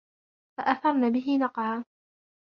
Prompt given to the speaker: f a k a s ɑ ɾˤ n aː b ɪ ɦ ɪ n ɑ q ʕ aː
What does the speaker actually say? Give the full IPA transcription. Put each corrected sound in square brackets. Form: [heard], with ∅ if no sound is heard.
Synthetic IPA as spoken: f a [ʔ] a [θ] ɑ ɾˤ n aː b ɪ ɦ ɪ n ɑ q ʕ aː